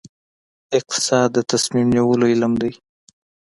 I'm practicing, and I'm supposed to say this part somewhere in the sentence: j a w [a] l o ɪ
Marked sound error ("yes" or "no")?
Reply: yes